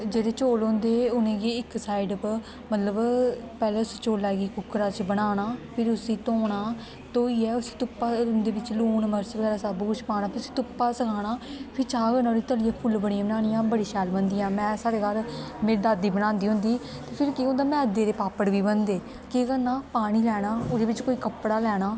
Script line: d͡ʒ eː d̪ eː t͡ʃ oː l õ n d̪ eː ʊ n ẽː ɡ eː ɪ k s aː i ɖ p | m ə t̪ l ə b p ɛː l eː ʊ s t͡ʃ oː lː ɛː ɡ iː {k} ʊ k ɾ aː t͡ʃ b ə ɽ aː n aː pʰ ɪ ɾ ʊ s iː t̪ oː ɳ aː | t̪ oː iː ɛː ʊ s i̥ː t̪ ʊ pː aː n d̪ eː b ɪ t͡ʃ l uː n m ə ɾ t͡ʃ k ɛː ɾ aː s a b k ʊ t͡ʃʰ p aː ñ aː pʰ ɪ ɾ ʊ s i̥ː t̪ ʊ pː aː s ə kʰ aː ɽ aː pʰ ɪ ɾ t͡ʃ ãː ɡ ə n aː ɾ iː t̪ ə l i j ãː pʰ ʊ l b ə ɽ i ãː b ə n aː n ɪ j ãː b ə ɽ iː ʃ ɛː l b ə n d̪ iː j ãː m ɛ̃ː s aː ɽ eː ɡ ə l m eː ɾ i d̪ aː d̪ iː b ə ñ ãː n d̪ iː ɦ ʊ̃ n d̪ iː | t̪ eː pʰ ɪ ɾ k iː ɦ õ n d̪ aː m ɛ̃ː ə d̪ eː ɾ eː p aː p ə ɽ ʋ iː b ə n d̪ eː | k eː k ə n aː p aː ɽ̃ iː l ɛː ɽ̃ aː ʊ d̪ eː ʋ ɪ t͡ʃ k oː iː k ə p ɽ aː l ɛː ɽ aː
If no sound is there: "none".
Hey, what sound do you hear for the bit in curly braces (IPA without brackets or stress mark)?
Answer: k